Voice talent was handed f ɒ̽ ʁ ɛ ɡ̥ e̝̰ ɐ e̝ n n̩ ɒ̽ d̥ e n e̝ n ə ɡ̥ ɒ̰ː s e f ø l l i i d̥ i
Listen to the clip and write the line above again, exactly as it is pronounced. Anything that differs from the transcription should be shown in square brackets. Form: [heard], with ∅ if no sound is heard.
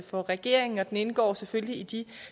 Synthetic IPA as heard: f ɒ̽ ʁ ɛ ɡ̥ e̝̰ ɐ e̝ [ŋ] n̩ ɒ̽ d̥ e n e̝ n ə ɡ̥ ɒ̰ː s e f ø l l i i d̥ i

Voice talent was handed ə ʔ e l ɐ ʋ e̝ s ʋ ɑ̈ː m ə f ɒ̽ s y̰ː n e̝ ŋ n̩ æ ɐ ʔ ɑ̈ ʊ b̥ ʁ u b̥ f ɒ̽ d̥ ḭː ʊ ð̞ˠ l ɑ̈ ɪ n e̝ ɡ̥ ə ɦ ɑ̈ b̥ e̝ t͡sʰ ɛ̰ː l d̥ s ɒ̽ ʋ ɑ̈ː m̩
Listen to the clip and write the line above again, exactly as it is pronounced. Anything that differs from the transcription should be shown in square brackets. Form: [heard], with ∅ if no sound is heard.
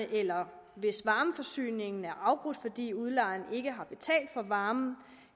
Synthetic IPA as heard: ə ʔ e l ɐ ʋ e̝ s ʋ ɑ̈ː m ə f ɒ̽ s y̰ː n e̝ ŋ n̩ æ ɐ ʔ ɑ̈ ʊ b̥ ʁ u [d̥] f ɒ̽ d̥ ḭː [u] ð̞ˠ l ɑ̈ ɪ n e̝ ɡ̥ ə ɦ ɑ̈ b̥ e̝ t͡sʰ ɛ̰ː l d̥ [f] ɒ̽ ʋ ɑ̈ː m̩

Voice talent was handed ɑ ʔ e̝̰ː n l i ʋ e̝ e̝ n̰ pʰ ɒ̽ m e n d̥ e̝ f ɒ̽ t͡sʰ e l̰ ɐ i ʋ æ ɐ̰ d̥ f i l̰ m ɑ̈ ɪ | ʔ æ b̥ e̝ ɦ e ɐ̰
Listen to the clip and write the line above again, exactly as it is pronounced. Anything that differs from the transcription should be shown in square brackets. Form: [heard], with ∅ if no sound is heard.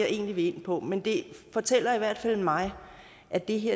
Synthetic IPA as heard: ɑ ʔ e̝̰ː n l i ʋ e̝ e̝ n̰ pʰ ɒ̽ m e n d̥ e̝ f ɒ̽ t͡sʰ e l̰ ɐ i ʋ æ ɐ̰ d̥ f [æ] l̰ m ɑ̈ ɪ | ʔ æ [d̥] e̝ ɦ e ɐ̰

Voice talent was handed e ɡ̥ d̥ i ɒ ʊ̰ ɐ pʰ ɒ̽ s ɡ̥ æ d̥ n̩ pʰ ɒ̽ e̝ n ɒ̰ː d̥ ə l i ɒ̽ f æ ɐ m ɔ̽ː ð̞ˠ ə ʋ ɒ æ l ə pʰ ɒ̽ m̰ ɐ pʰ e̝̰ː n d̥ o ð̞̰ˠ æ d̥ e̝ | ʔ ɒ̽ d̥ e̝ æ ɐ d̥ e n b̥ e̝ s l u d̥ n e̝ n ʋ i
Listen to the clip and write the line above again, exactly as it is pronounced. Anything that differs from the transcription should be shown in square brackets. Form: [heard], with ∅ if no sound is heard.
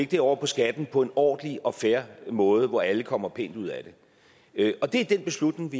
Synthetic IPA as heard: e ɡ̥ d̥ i ɒ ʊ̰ ɐ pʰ ɒ̽ s ɡ̥ æ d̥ n̩ pʰ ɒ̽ e̝ n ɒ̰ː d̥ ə l i ɒ̽ f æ ɐ m ɔ̽ː ð̞ˠ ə ʋ ɒ æ l ə [kʰ] ɒ̽ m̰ ɐ pʰ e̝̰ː n d̥ [u] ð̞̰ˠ æ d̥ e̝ | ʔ ɒ̽ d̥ e̝ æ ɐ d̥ e n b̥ e̝ s l u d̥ n e̝ [ŋ] ʋ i

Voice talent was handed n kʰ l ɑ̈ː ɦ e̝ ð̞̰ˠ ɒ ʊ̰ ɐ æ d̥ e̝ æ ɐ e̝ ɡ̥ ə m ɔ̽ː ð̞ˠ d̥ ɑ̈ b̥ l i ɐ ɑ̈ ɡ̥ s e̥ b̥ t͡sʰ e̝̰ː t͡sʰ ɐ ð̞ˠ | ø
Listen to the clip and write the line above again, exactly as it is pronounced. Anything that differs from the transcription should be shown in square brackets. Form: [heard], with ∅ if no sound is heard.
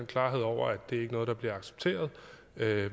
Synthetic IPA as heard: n kʰ l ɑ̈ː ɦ e̝ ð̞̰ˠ ɒ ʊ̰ ɐ æ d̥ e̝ æ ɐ e̝ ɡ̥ ə [n] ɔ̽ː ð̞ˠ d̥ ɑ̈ b̥ l i ɐ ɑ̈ ɡ̥ s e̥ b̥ t͡sʰ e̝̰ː [∅] ɐ ð̞ˠ | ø

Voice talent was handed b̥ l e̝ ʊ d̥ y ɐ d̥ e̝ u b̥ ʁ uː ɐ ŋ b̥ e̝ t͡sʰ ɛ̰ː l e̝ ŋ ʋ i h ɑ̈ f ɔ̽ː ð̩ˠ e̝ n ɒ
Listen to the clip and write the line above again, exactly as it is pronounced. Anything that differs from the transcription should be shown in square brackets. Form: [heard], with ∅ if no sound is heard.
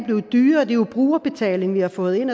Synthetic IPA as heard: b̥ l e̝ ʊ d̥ [yː] ɐ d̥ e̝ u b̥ ʁ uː ɐ [∅] b̥ e̝ t͡sʰ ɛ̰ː l e̝ ŋ ʋ i h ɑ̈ f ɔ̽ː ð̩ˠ e̝ n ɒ

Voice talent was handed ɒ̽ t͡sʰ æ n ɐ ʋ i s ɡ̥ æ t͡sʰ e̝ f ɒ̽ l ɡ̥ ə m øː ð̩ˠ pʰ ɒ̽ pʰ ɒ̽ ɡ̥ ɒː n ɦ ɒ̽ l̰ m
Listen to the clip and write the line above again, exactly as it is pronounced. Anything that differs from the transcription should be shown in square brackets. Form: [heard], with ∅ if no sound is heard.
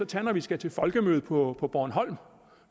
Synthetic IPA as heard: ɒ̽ t͡sʰ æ n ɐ ʋ i s ɡ̥ æ t͡sʰ e̝ f ɒ̽ l ɡ̥ ə m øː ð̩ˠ pʰ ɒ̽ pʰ ɒ̽ [b̥] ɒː n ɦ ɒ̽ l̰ m

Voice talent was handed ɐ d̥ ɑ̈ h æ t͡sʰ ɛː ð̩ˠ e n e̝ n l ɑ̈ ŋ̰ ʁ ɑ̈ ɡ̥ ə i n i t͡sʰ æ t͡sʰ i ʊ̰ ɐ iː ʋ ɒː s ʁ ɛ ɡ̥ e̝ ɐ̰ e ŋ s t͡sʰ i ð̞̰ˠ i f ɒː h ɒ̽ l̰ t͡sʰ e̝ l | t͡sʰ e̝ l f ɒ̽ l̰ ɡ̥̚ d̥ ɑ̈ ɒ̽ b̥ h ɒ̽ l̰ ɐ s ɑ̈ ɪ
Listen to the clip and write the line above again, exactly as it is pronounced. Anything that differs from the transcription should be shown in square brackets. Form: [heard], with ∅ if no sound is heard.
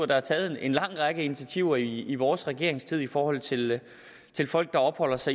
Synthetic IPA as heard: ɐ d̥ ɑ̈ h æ t͡sʰ ɛː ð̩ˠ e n e̝ n l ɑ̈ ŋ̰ ʁ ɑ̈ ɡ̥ ə i n i t͡sʰ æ t͡sʰ i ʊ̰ ɐ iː ʋ ɒː s ʁ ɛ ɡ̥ e̝ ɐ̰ e ŋ s t͡sʰ i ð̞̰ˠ i f ɒː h ɒ̽ l̰ t͡sʰ e̝ l | t͡sʰ e̝ l f ɒ̽ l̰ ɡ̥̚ d̥ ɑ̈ ɒ̽ b̥ h ɒ̽ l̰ ɐ s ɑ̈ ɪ

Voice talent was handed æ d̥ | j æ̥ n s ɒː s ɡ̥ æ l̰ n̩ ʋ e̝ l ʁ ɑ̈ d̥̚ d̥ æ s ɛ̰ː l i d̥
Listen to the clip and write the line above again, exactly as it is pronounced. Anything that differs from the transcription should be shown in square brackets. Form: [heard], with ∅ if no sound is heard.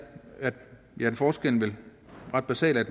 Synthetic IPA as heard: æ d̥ | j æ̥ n [f] ɒː s ɡ̥ [e] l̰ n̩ ʋ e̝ l ʁ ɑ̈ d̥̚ [b̥] æ s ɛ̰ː l [æ] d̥

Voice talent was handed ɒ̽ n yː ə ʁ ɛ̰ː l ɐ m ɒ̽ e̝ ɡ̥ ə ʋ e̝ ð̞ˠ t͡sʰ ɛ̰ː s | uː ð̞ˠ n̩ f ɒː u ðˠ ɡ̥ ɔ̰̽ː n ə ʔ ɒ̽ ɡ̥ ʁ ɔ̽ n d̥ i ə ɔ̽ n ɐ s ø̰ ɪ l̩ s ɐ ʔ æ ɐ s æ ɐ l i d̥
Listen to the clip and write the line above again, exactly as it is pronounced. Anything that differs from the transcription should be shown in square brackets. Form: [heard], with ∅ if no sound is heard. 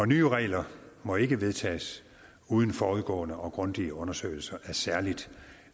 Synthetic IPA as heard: ɒ̽ n yː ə ʁ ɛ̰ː l ɐ m ɒ̽ e̝ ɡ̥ ə ʋ e̝ ð̞ˠ t͡sʰ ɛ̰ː s | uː ð̞ˠ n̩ f ɒː u ðˠ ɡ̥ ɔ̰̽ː n ə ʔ ɒ̽ ɡ̥ ʁ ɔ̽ n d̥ i ə ɔ̽ n ɐ s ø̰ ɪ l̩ s ɐ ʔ æ ɐ s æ ɐ l i d̥

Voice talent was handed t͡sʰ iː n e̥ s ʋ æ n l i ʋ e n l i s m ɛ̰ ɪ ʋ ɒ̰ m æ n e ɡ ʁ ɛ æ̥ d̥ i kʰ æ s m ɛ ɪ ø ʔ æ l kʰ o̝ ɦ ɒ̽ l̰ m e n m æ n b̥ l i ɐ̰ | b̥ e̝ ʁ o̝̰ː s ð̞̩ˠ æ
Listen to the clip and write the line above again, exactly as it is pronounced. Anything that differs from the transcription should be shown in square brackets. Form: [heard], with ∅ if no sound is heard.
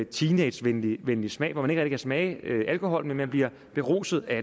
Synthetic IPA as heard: t͡sʰ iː n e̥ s ʋ [e] n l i ʋ e n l i s m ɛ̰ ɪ ʋ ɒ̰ m æ n e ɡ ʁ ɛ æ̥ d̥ i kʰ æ s m ɛ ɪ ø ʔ æ l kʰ o̝ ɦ ɒ̽ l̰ m e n m æ n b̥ l i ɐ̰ | b̥ e̝ ʁ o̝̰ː s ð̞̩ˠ æ

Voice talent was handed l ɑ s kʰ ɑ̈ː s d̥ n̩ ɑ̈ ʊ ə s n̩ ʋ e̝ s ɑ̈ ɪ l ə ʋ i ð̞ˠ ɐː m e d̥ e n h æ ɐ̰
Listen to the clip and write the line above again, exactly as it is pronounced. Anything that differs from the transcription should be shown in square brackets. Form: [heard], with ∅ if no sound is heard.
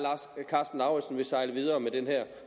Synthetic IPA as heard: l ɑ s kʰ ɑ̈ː s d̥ n̩ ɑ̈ ʊ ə s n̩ ʋ e̝ s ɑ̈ ɪ l ə ʋ i ð̞ˠ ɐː m e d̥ e n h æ ɐ̰

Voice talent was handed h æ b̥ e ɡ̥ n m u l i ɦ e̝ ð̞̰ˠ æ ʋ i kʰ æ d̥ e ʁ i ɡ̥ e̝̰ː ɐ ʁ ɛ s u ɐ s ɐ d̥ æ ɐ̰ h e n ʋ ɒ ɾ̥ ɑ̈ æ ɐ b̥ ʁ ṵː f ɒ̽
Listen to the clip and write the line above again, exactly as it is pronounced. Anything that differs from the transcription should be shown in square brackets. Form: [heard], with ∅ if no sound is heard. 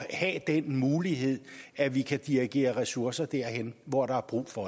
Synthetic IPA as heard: h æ [d̥] e [∅] n m [uː] l i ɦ e̝ ð̞̰ˠ æ ʋ i kʰ æ d̥ [i] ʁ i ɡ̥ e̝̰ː ɐ ʁ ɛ s u ɐ s ɐ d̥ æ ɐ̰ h e n ʋ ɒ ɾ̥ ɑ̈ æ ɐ b̥ ʁ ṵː f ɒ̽

